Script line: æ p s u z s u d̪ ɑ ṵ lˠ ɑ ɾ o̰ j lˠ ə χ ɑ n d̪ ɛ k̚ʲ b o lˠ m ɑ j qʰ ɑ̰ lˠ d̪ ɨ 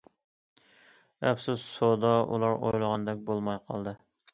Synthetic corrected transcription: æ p s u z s o d̪ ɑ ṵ lˠ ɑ ɾ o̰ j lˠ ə ʁ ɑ n d̪ ɛ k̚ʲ b o lˠ m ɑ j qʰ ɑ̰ lˠ d̪ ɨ